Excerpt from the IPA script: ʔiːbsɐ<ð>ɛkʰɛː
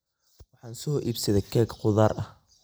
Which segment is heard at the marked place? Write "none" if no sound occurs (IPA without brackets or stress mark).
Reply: ð